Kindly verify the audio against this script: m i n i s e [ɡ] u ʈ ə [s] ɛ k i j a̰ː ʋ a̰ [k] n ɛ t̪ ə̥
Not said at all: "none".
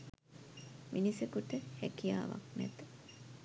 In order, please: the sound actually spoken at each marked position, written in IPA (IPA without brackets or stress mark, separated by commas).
k, h, k